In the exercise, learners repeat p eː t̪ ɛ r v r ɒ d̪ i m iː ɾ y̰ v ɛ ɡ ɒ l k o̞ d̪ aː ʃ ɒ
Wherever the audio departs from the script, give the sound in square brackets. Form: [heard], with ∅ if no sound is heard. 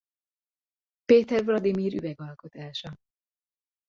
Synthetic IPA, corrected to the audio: p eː t̪ ɛ r v [l] ɒ d̪ i m iː ɾ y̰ v ɛ ɡ ɒ l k o̞ [t̪] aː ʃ ɒ

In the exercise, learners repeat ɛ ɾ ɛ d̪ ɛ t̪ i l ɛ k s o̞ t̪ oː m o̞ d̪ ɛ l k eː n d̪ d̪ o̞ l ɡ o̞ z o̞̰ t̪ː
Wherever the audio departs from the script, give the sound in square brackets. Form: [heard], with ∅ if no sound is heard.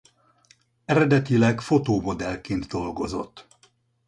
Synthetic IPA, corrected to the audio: ɛ ɾ ɛ d̪ ɛ t̪ i l ɛ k [f] o̞ t̪ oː m o̞ d̪ ɛ l k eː n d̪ d̪ o̞ l ɡ o̞ z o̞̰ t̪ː

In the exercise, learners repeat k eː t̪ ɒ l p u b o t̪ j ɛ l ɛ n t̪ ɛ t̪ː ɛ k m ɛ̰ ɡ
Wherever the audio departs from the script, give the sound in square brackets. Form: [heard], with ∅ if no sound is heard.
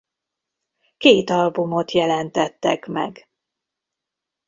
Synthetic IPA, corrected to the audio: k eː t̪ ɒ l [b] u [m] o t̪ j ɛ l ɛ n t̪ ɛ t̪ː ɛ k m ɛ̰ ɡ

